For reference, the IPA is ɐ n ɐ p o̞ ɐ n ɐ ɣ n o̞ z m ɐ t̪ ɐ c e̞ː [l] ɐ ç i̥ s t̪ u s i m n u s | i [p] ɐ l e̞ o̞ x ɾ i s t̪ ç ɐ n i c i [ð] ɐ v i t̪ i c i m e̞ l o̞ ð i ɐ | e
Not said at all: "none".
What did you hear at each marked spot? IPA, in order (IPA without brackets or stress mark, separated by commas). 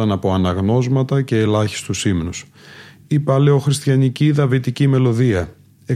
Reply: l, p, ð